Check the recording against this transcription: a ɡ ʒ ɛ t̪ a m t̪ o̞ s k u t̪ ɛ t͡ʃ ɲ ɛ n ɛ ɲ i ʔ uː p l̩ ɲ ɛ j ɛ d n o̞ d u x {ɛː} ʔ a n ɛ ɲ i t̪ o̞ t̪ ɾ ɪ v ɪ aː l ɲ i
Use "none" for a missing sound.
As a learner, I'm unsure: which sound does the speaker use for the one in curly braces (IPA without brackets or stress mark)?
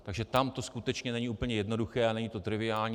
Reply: ɛː